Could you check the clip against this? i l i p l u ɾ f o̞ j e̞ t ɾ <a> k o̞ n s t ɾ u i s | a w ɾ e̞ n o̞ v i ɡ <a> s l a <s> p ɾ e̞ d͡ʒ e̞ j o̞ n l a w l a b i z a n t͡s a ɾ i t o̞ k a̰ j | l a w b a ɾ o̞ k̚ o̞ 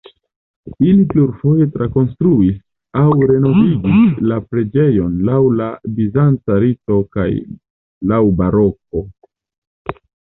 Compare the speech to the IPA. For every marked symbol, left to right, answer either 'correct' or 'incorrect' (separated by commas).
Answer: correct, incorrect, incorrect